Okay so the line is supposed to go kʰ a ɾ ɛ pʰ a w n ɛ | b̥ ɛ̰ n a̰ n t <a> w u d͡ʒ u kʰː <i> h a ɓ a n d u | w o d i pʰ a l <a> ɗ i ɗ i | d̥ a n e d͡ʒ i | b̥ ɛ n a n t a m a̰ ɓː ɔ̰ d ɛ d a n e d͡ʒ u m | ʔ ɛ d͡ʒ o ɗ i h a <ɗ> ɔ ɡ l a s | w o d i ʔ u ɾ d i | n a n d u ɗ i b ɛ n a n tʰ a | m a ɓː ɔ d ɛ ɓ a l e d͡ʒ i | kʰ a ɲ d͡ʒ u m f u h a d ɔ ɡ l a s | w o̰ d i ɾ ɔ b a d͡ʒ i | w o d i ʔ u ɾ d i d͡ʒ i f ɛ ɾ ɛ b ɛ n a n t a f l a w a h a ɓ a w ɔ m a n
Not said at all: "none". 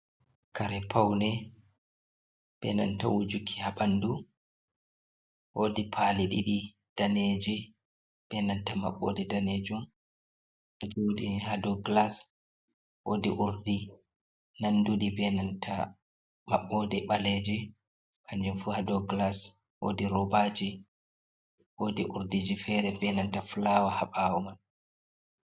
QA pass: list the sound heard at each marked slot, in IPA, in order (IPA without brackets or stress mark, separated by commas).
a, i, i, d